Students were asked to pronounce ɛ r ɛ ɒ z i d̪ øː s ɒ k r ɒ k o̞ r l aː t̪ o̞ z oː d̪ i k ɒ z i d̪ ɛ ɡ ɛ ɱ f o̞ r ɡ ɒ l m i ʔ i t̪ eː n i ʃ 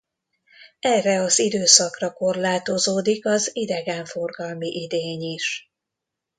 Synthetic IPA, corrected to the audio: ɛ r ɛ ɒ z i d̪ øː s ɒ k r ɒ k o̞ r l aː t̪ o̞ z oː d̪ i k ɒ z i d̪ ɛ ɡ ɛ ɱ f o̞ r ɡ ɒ l m i ʔ i d̪ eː ɲ i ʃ